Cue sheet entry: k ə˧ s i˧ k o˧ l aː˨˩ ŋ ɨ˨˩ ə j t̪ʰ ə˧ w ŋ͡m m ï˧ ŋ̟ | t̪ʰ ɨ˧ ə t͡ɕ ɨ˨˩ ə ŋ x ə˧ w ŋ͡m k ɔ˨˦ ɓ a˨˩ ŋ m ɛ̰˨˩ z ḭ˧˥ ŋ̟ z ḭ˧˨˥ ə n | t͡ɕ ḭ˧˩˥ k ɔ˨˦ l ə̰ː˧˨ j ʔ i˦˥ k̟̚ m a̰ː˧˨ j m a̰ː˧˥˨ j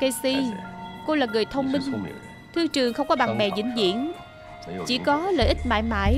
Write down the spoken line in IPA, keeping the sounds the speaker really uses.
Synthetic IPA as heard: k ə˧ s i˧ k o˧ l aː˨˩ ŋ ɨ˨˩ ə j t̪ʰ ə˧ w ŋ͡m m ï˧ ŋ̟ | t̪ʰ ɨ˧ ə t͡ɕ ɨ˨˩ ə ŋ x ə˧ w ŋ͡m k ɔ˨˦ ɓ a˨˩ ŋ m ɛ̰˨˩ z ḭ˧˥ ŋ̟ z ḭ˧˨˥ ə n | t͡ɕ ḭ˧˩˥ k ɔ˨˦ l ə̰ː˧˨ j ʔ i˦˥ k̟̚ m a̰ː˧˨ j m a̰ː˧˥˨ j